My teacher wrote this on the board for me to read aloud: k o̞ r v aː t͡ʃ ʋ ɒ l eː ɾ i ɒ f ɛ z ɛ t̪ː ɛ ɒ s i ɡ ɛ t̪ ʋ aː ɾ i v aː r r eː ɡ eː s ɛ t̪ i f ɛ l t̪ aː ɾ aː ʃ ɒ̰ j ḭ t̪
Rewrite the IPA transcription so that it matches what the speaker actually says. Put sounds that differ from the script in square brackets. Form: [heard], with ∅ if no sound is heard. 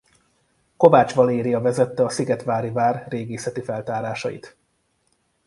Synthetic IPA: k o̞ [∅] v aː t͡ʃ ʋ ɒ l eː ɾ i ɒ [v] ɛ z ɛ t̪ː ɛ ɒ s i ɡ ɛ t̪ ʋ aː ɾ i v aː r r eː ɡ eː s ɛ t̪ i f ɛ l t̪ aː ɾ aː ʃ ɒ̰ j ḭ t̪